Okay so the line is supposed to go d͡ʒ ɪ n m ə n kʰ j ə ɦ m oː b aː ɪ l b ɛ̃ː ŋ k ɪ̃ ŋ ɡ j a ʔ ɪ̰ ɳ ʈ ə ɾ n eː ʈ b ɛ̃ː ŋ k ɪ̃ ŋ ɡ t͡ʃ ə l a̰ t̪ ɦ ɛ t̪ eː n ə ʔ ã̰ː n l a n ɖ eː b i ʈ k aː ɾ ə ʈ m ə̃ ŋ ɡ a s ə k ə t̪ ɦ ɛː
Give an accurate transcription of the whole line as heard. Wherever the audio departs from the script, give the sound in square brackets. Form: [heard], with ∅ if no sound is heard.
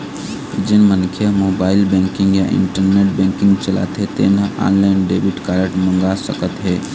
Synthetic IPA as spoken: d͡ʒ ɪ n m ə n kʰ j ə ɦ m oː b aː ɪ l b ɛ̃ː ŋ k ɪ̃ ŋ ɡ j a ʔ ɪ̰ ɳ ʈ ə ɾ n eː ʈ b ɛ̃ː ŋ k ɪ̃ ŋ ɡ t͡ʃ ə l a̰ t̪ ɦ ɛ t̪ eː n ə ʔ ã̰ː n l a n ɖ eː b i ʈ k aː ɾ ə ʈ m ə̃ ŋ ɡ a s ə k ə t̪ ɦ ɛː

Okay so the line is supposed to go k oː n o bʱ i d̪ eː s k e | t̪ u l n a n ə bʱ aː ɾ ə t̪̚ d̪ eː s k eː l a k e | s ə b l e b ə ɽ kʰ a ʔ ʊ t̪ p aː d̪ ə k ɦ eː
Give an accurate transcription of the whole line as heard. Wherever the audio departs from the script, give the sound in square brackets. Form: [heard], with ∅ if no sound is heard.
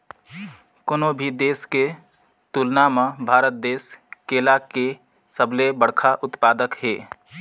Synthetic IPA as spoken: k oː n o bʱ i d̪ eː s k e | t̪ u l n a [m] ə bʱ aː ɾ ə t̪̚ d̪ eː s k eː l a k e | s ə b l e b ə ɽ kʰ a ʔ ʊ t̪ p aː d̪ ə k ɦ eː

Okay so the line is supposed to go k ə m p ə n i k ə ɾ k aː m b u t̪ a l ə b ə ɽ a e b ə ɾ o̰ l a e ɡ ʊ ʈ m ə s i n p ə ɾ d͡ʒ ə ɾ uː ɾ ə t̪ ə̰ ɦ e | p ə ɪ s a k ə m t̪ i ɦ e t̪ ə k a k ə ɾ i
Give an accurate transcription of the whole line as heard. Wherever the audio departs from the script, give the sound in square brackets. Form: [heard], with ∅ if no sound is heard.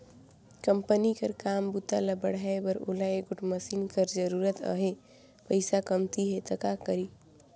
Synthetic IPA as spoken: k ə m p ə n i k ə ɾ k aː m b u t̪ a l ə b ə ɽ a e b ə ɾ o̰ l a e ɡ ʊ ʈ m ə s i n [k] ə ɾ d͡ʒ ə ɾ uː ɾ ə t̪ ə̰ ɦ e | p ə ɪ s a k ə m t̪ i ɦ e t̪ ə k a k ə ɾ i

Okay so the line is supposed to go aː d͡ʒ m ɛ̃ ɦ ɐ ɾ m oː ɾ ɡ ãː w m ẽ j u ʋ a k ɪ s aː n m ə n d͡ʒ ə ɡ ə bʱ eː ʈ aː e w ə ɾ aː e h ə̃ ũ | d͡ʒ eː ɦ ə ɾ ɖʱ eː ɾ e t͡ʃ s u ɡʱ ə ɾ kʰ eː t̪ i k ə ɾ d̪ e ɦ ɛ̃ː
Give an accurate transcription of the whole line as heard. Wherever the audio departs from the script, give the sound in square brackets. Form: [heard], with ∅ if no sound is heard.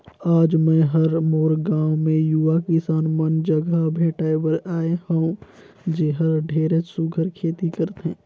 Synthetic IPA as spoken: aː d͡ʒ m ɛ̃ ɦ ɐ ɾ m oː ɾ ɡ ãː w m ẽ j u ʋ a k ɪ s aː n m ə n d͡ʒ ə ɡ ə bʱ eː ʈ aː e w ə ɾ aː e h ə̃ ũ | d͡ʒ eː ɦ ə ɾ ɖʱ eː ɾ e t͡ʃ s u ɡʱ ə ɾ kʰ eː t̪ i k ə ɾ [t̪] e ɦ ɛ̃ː

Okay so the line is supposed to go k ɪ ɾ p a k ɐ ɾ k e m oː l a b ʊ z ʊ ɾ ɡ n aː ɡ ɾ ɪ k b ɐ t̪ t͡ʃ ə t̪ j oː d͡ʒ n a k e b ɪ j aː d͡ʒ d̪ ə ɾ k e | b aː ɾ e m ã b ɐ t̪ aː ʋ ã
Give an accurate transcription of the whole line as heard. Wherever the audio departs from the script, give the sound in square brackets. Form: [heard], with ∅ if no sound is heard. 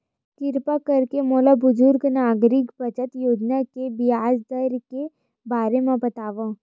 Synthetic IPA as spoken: k ɪ ɾ p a k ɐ ɾ k e m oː l a b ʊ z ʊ ɾ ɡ n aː ɡ ɾ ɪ k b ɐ [∅] t͡ʃ ə t̪ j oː d͡ʒ n a k e b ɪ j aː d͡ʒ d̪ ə ɾ k e | b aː ɾ e m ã b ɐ t̪ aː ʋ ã

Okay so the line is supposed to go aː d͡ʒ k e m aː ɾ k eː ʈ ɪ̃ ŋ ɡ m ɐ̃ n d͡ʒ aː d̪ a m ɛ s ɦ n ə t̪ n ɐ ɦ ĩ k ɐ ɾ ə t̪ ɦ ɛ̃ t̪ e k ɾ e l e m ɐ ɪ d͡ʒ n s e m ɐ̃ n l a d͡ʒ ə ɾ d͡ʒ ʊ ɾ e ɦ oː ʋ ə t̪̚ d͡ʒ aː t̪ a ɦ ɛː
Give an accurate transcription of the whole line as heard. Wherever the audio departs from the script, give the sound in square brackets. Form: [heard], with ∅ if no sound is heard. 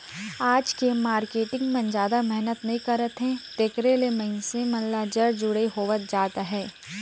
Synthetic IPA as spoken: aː d͡ʒ k e m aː ɾ k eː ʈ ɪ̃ ŋ ɡ m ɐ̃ n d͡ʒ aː d̪ a m ɛ [∅] ɦ n ə t̪ n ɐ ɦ ĩ k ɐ ɾ ə t̪ ɦ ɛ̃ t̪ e k ɾ e l e m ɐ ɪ [∅] n s e m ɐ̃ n l a d͡ʒ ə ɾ d͡ʒ ʊ [ɽ] e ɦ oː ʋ ə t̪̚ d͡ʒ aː t̪ a ɦ ɛː

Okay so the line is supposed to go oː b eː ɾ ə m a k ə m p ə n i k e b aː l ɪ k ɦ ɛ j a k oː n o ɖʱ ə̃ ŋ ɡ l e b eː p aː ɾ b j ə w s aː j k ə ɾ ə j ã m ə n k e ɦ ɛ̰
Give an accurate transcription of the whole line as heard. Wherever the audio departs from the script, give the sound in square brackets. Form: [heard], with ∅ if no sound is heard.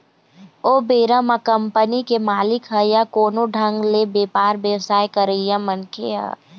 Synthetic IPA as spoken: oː b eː ɾ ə m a k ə m p ə n i k e [m] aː l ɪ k ɦ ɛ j a k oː n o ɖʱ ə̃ ŋ ɡ l e b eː p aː ɾ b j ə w s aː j k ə ɾ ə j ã m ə n k e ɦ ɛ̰

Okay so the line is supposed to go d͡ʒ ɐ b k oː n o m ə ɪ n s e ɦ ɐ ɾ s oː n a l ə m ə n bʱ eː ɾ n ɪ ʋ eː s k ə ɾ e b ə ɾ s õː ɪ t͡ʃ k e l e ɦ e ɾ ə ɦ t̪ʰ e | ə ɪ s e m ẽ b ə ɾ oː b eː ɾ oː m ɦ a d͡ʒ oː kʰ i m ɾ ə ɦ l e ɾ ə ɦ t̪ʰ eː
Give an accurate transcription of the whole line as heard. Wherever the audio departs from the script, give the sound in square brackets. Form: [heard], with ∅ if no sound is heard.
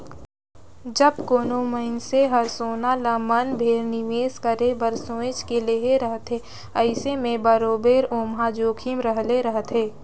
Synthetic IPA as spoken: d͡ʒ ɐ b k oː n o m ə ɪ n s e ɦ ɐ ɾ s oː n a l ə m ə n bʱ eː ɾ n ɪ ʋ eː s k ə ɾ e b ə ɾ s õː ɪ t͡ʃ k e l e ɦ e ɾ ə ɦ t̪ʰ e | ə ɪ s e m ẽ b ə ɾ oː b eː ɾ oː m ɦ a d͡ʒ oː kʰ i m ɾ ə ɦ l e ɾ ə ɦ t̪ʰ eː

